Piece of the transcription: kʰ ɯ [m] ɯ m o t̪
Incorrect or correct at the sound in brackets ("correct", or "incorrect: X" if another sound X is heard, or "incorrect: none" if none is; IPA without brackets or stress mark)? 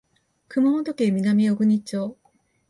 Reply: correct